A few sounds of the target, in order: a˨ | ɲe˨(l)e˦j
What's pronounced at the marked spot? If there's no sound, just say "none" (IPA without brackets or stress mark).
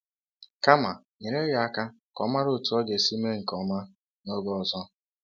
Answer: ɾ